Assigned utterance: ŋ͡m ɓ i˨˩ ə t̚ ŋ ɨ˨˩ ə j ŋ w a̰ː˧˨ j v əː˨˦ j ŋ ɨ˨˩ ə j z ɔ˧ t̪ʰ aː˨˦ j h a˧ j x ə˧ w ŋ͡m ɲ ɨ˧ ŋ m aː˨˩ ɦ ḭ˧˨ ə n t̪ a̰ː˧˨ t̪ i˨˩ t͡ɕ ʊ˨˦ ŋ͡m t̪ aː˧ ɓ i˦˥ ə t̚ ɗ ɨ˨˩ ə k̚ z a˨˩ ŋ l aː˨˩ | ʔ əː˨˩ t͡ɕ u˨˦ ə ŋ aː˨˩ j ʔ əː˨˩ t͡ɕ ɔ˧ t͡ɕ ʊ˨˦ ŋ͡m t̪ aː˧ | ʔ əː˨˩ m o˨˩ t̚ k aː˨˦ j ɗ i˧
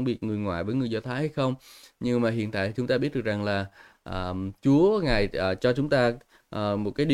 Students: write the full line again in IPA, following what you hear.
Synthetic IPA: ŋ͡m ɓ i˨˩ ə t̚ ŋ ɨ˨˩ ə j ŋ w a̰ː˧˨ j v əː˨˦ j ŋ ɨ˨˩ ə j z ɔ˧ t̪ʰ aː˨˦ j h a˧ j x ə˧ w ŋ͡m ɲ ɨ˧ ŋ m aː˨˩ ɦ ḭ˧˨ ə n t̪ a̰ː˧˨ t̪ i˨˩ t͡ɕ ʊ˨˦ ŋ͡m t̪ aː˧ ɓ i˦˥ ə t̚ ɗ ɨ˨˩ ə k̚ z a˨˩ ŋ l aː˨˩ | ʔ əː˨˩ t͡ɕ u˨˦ ə ŋ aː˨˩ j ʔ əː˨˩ t͡ɕ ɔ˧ t͡ɕ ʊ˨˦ ŋ͡m t̪ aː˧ | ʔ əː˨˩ m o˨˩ t̚ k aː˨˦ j ɗ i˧